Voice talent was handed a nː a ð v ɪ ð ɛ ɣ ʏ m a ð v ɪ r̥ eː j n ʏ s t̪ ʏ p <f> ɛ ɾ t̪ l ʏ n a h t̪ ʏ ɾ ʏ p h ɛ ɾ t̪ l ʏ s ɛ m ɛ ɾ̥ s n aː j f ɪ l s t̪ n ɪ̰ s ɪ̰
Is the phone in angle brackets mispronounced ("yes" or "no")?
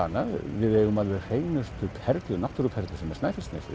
yes